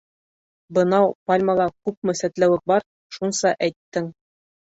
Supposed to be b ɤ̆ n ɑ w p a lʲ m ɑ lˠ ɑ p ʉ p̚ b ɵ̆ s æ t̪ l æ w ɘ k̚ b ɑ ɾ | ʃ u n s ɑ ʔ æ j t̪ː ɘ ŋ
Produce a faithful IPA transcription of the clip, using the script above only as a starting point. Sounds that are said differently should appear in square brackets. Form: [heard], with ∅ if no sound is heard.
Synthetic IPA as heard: b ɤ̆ n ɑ w p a lʲ m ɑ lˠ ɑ [k] ʉ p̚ [m] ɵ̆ s æ t̪ l æ w ɘ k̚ b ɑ ɾ | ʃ u n s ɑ ʔ æ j t̪ː ɘ ŋ